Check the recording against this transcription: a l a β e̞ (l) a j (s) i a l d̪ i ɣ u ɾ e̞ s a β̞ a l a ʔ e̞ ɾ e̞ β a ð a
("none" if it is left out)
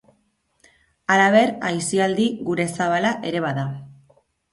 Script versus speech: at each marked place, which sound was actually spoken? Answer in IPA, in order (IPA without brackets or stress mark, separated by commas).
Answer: ɾ, s